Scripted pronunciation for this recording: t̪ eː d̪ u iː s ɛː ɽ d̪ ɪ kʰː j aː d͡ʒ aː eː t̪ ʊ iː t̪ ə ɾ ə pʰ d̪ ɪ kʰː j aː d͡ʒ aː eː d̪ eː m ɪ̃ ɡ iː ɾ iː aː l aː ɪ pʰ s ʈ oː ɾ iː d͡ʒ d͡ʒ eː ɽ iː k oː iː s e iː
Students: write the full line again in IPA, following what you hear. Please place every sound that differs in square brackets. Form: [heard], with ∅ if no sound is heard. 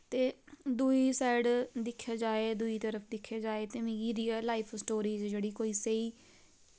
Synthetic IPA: t̪ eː d̪ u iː s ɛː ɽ d̪ ɪ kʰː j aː d͡ʒ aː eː [d̪] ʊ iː t̪ ə ɾ ə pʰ d̪ ɪ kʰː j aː d͡ʒ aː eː [t̪] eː m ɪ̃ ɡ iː ɾ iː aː l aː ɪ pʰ s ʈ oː ɾ iː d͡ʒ d͡ʒ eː ɽ iː k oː iː s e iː